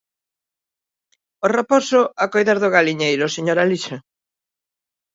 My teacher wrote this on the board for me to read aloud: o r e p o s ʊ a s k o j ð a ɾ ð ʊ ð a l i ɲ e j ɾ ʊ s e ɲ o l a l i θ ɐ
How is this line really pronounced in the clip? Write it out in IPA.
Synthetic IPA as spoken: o r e p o s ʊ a k o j ð a ɾ ð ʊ ɣ a l i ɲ e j ɾ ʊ s e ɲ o ɾ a l i ʃ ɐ